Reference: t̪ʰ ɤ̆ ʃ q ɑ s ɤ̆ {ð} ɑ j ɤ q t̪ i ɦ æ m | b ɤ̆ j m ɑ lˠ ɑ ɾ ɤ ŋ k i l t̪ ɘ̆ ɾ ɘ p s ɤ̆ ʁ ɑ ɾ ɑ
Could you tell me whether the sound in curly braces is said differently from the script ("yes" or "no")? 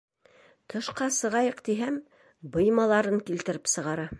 yes